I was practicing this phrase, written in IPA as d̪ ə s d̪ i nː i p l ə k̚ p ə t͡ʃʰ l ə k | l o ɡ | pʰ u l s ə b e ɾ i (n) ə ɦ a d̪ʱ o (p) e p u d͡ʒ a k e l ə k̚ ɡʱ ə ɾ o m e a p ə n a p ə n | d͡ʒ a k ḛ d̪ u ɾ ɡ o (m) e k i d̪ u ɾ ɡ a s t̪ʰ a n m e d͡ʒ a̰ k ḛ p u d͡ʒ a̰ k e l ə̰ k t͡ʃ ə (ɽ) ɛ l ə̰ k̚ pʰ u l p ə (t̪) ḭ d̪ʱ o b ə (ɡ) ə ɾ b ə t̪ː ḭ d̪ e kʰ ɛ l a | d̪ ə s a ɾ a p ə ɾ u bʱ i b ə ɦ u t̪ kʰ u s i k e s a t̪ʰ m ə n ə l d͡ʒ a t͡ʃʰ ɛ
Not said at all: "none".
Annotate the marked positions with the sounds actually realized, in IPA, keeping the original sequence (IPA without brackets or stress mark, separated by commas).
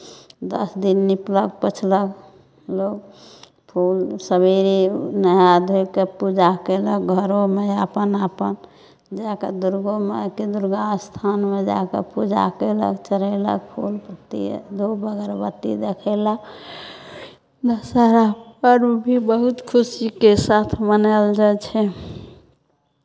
n, k, m, ɾ, t̪, ɡ